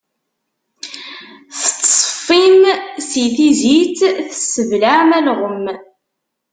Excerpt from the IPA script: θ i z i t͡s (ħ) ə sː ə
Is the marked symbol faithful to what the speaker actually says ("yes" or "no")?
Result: no